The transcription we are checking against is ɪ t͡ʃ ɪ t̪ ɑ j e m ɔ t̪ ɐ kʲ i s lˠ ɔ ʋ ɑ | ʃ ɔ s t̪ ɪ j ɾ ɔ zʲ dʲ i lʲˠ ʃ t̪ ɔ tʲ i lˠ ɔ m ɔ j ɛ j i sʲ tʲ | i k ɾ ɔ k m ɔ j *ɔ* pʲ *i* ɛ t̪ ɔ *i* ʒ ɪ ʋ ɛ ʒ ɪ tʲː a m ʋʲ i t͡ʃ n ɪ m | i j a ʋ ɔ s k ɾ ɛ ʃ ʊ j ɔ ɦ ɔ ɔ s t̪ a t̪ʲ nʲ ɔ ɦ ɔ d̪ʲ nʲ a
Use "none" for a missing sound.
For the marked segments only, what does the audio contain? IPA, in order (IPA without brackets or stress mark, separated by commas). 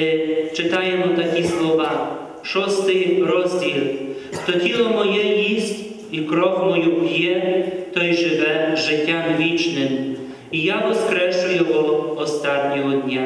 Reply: u, j, j